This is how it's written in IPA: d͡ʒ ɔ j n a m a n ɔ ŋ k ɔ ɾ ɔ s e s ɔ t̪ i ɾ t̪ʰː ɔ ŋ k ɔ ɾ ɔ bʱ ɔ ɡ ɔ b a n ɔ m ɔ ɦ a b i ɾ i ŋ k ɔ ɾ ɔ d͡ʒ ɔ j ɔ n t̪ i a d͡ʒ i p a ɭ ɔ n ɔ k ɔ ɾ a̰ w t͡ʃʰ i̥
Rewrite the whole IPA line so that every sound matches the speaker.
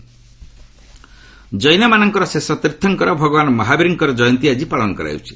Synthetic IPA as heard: d͡ʒ ɔ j n a m a n ɔ ŋ k ɔ ɾ ɔ s e s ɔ t̪ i ɾ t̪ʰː ɔ ŋ k ɔ ɾ ɔ bʱ ɔ ɡ ɔ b a n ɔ m ɔ ɦ a b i ɾ i ŋ k ɔ ɾ ɔ d͡ʒ ɔ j ɔ n t̪ i a d͡ʒ i p a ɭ ɔ n ɔ k ɔ ɾ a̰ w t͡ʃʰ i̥